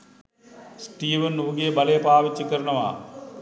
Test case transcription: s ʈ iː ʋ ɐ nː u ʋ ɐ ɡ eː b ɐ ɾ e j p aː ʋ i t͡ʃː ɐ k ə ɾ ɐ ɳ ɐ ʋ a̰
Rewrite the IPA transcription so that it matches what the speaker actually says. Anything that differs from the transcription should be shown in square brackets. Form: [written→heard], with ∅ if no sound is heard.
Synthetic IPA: s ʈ iː ʋ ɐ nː u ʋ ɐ ɡ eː b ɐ [ɾ→l] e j p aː ʋ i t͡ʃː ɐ k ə ɾ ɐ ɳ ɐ ʋ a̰